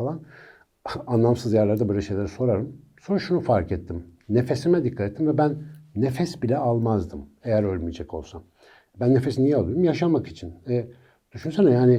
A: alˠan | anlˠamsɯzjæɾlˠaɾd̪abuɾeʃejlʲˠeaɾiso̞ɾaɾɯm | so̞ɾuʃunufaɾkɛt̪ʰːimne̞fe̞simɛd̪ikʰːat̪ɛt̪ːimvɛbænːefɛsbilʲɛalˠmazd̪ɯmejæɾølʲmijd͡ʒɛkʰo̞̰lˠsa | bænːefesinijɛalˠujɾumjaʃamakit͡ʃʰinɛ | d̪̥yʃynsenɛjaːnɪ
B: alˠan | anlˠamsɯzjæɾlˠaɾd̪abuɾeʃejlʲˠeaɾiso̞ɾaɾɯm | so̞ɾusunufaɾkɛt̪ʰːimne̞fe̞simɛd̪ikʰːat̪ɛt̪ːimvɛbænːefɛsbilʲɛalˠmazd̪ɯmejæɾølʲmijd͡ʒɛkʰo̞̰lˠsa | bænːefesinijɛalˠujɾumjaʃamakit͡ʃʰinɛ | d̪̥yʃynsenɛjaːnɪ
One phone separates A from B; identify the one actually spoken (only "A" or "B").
A